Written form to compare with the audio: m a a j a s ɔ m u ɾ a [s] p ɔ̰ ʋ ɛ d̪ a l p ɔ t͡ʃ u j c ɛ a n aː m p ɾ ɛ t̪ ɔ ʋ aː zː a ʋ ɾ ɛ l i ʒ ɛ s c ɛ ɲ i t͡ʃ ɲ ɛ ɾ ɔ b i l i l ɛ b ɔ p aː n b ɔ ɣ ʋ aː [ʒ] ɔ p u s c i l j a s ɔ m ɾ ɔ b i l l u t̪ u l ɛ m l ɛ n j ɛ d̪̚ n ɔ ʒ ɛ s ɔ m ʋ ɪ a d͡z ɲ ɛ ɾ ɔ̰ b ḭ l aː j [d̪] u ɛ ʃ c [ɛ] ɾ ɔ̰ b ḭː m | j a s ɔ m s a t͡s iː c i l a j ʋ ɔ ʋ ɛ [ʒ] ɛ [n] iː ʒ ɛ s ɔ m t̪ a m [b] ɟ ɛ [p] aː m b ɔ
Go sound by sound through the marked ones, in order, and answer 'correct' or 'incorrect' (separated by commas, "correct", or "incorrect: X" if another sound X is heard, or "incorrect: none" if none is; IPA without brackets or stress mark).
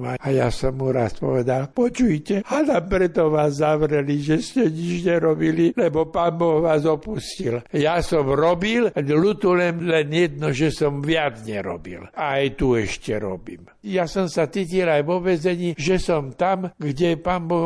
correct, incorrect: z, incorrect: t̪, correct, incorrect: z, incorrect: ɲ, incorrect: ɡ, correct